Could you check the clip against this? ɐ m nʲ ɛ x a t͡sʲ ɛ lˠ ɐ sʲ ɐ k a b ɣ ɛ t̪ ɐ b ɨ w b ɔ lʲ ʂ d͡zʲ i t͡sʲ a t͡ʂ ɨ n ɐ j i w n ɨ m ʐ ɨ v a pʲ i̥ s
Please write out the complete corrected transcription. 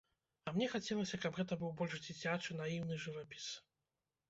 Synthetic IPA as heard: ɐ m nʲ ɛ x a t͡sʲ ɛ lˠ ɐ sʲ ɐ k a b ɣ ɛ t̪ ɐ b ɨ w b ɔ lʲ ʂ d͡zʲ i t͡sʲ a t͡ʂ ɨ n a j i w n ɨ ʐ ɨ v a pʲ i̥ s